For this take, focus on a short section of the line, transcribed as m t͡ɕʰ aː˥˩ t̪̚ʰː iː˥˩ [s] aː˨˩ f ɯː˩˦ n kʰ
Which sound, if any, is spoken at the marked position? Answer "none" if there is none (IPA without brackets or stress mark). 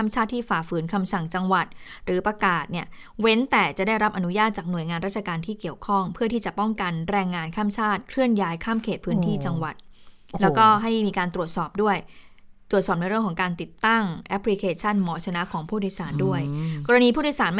f